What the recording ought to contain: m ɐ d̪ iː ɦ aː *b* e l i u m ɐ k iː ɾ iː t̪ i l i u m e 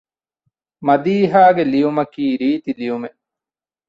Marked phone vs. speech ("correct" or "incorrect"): incorrect